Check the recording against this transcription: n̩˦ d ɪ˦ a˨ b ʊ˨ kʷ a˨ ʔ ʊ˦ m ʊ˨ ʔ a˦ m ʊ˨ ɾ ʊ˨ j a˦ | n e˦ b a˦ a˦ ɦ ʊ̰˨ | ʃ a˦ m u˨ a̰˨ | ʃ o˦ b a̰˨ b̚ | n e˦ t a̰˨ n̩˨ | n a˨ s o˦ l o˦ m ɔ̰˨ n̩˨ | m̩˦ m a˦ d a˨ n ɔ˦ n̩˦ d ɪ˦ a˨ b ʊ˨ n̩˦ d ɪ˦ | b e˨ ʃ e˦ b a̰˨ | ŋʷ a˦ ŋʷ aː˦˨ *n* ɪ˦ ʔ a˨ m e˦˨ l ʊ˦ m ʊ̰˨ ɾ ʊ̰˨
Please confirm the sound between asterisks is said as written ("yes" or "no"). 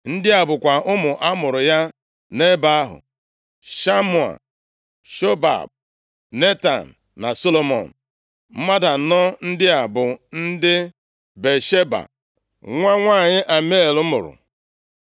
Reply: no